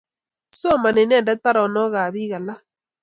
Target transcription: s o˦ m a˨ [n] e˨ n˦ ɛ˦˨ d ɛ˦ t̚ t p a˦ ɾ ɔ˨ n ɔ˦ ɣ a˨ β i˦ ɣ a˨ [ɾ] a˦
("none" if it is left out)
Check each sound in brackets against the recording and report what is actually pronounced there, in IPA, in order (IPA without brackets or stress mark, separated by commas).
n, l